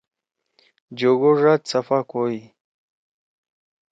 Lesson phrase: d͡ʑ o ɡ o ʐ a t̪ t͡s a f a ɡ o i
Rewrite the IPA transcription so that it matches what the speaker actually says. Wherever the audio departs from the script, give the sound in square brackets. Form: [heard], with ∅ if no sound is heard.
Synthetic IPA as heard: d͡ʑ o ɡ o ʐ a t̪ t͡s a f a [k] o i